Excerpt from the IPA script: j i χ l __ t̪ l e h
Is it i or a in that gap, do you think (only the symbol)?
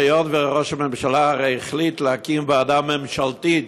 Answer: i